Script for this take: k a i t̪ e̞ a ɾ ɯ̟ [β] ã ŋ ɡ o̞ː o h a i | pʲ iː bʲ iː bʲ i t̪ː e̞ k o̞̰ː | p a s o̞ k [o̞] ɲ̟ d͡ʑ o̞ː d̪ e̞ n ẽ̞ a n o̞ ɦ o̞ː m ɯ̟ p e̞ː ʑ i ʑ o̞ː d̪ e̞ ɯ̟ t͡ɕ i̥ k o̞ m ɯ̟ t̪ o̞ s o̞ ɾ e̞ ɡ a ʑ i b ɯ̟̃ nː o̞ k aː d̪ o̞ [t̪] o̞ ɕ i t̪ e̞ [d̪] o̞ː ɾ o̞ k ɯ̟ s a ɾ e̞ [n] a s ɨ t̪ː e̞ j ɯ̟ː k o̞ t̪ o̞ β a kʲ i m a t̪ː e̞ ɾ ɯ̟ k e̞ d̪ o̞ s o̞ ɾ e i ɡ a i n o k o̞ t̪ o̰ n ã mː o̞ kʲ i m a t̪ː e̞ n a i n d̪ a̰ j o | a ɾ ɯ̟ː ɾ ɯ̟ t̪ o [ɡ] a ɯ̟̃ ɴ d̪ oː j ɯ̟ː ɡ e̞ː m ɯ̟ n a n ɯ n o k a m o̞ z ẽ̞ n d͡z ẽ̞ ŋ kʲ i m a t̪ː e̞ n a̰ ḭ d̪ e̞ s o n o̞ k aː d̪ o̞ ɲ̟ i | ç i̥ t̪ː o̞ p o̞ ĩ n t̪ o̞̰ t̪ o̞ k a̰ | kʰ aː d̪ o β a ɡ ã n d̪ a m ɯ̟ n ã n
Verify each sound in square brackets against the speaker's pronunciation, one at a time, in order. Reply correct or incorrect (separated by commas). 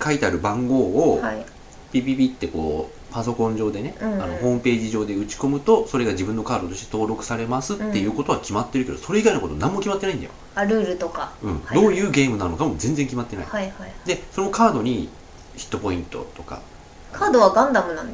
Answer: incorrect, incorrect, correct, incorrect, incorrect, incorrect